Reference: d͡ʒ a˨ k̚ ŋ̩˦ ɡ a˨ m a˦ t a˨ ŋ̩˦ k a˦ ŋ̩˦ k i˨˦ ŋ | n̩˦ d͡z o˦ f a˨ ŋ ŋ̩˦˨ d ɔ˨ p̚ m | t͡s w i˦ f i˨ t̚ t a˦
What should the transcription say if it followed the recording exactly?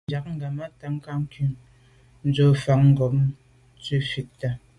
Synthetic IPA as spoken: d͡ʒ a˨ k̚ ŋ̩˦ ɡ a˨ m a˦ t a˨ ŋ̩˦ k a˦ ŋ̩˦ k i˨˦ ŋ | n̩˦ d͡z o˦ f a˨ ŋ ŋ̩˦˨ ɡ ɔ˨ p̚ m | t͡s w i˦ f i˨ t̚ t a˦